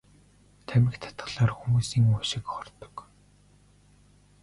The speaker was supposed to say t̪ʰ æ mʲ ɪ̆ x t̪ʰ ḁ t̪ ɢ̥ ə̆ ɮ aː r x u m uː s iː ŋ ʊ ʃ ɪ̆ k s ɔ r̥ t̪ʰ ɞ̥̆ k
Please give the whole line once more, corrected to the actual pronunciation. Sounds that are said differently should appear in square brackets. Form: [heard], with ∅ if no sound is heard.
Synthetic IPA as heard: t̪ʰ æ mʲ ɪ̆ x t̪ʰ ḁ t̪ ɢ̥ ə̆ ɮ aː r x u m uː s iː ŋ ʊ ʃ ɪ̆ k [χ] ɔ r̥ [t̪] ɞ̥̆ k